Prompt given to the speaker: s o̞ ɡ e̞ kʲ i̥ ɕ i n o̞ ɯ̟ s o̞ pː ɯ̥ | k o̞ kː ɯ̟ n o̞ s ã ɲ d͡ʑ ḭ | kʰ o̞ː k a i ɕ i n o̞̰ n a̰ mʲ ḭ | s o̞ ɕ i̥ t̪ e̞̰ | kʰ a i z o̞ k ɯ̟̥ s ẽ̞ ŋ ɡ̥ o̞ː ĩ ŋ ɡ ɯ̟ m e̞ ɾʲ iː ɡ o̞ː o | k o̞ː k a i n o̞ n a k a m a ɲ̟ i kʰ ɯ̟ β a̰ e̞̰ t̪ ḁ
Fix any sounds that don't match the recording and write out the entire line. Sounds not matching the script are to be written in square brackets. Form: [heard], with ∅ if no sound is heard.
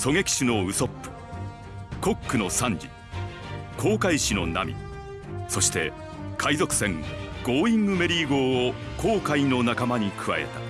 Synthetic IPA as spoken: s o̞ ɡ e̞ kʲ i̥ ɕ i n o̞ ɯ̟ s o̞ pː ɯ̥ | k o̞ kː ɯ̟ n o̞ s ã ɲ d͡ʑ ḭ | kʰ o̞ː k a i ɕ i n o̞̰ n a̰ mʲ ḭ | s o̞ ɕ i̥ t̪ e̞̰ | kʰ a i z o̞ k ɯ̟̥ s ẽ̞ ŋ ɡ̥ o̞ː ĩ ŋ ɡ ɯ̟ m e̞ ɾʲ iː ɡ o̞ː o | k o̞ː k a i n o̞ n a k a m a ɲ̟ i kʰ ɯ̟ β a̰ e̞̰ t̪ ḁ

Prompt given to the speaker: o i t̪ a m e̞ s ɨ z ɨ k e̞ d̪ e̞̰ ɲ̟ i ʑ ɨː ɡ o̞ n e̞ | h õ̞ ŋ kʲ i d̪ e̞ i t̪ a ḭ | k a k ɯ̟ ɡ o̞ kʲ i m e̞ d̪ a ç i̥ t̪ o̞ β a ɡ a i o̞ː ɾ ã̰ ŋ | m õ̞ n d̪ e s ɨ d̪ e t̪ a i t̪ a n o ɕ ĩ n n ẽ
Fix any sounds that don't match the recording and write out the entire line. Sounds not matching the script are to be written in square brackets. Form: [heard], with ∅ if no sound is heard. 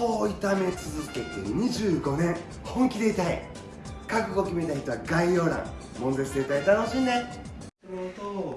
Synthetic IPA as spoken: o i t̪ a m e̞ [t͡s] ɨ z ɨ k e̞ [t̪] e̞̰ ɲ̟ i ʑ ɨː ɡ o̞ n [ẽ̞] | h õ̞ ŋ kʲ i d̪ e̞ i t̪ a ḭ | k a k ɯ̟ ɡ o̞ kʲ i m e̞ [t̪] a ç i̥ t̪ o̞ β a ɡ a i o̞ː ɾ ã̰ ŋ | m õ̞ n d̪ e s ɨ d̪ e t̪ a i t̪ a n o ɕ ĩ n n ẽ

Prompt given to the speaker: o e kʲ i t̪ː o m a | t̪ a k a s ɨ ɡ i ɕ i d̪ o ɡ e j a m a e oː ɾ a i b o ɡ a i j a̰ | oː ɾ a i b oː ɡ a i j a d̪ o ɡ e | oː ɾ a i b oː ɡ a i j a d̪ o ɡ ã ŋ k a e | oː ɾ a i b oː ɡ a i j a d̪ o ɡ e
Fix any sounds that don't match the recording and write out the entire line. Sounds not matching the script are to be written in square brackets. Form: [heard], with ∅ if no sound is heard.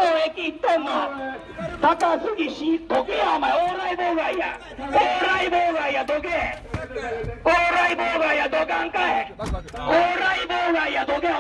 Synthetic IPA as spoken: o e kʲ i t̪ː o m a | t̪ a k a s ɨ ɡ i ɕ i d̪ o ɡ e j a m a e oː ɾ a i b o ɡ a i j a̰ | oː ɾ a i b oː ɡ a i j a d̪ o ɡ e | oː ɾ a i b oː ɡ a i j a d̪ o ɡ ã ŋ k a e | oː ɾ a i b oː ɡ a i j a d̪ o ɡ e

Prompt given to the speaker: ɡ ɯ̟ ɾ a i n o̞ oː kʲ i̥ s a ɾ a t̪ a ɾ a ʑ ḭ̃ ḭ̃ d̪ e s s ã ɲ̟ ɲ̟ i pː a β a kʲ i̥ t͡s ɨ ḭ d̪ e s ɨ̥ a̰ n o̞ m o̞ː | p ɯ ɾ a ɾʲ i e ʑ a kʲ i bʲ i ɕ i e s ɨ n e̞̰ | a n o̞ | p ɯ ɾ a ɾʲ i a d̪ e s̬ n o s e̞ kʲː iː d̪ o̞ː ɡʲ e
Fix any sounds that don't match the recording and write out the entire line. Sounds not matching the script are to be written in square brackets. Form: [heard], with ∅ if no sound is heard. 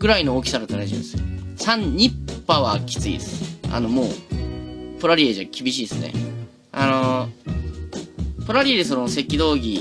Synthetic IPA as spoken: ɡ ɯ̟ ɾ a i n o̞ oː kʲ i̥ s a ɾ a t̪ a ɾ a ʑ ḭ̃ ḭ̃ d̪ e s s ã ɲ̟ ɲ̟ i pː a β a kʲ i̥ t͡s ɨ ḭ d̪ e s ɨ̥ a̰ n o̞ m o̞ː | p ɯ ɾ a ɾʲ i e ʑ a kʲ i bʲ i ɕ [iː] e s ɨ n e̞̰ | a n o̞ | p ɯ ɾ a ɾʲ i [e] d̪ e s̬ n o s e̞ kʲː [i] d̪ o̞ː ɡʲ [i]

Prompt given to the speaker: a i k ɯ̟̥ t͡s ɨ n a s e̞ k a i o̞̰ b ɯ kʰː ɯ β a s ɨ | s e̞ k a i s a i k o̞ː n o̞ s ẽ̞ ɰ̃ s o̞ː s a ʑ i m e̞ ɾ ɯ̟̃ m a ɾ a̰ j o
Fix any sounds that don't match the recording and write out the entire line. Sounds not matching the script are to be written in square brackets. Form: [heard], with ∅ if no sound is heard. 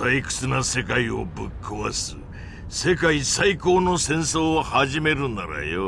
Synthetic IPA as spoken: a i k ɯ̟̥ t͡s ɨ n a s e̞ k a i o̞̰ b ɯ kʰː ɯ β a s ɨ | s e̞ k a i s a i k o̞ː n o̞ s ẽ̞ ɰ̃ s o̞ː [h] a ʑ i m e̞ ɾ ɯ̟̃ [n] a ɾ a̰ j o

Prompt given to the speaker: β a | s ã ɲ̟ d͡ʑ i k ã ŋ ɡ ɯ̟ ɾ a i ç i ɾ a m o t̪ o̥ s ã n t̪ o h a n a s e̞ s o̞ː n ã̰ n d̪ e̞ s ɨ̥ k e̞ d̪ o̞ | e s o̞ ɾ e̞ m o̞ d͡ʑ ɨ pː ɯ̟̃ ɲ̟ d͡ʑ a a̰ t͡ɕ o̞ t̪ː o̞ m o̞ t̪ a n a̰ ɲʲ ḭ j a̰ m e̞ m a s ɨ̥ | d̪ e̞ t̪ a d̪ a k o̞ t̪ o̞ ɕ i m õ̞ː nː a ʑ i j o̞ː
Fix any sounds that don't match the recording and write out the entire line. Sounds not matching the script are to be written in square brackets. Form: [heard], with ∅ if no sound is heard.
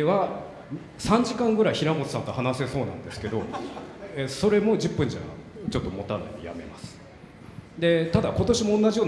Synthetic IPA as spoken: β a | s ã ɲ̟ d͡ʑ i k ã ŋ ɡ ɯ̟ ɾ a i ç i ɾ a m o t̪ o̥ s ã n t̪ o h a n a s e̞ s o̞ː n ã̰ n d̪ e̞ s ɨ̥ k e̞ d̪ o̞ | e s o̞ ɾ e̞ m o̞ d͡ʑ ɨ pː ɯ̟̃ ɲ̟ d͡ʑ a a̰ t͡ɕ o̞ t̪ː o̞ m o̞ t̪ a n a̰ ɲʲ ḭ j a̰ m e̞ m a s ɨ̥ | d̪ e̞ t̪ a d̪ a k o̞ t̪ o̞ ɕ i m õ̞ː nː a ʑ i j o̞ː

